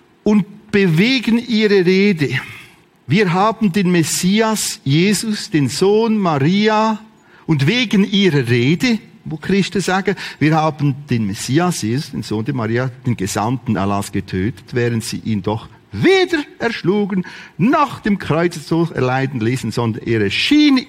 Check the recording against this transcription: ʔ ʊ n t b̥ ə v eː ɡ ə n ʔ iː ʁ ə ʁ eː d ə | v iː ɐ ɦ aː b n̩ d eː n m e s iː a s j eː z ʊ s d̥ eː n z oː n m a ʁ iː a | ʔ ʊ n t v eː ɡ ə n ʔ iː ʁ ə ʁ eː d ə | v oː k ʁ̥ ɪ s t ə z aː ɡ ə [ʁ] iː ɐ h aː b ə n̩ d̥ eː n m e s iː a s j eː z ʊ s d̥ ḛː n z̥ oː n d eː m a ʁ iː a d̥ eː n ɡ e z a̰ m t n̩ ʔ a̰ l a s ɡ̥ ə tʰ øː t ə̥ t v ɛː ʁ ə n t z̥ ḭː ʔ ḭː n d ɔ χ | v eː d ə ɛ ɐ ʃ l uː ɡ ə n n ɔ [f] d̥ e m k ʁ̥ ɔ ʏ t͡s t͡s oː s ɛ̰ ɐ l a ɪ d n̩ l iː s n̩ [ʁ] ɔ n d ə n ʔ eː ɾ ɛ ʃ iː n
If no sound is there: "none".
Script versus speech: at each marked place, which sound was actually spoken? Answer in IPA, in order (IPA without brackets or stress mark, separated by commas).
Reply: v, χ, z